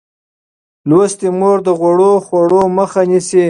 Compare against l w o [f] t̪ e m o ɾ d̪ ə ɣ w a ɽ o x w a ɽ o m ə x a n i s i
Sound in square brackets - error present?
yes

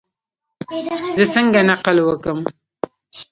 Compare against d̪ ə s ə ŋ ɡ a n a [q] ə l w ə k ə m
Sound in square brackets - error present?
no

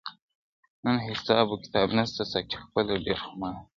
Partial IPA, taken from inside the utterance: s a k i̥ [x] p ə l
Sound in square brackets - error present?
no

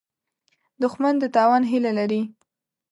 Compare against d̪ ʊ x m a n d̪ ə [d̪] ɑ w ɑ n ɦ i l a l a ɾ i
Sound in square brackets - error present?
yes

